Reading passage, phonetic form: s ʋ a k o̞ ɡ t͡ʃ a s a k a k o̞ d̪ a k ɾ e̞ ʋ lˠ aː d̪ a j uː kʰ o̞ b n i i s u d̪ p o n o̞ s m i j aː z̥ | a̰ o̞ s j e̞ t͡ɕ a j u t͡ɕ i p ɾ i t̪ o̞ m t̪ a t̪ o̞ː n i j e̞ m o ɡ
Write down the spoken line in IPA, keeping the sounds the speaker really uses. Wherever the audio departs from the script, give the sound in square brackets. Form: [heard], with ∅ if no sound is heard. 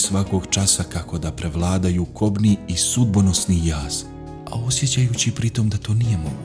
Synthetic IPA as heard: s ʋ a k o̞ ɡ t͡ʃ a s a k a k o̞ d̪ a [p] ɾ e̞ ʋ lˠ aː d̪ a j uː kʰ o̞ b n i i s u d̪ [b] o n o̞ s [n] i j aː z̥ | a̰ o̞ s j e̞ t͡ɕ a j u t͡ɕ i p ɾ i t̪ o̞ m [d̪] a t̪ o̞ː n i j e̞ m o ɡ